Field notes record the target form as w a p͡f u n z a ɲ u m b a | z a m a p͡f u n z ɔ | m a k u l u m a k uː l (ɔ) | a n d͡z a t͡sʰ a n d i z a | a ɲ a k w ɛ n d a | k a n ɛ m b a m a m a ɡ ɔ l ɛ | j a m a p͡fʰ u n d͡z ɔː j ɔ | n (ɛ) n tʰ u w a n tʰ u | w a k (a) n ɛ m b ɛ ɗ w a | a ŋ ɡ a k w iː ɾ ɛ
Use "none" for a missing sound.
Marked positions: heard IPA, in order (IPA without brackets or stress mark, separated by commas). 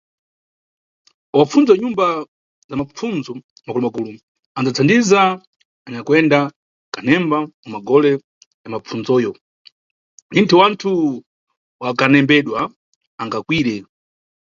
u, i, a